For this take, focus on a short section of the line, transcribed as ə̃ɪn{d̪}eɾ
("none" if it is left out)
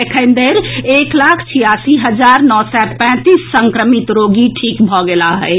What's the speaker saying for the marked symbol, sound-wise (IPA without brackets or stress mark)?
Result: d̪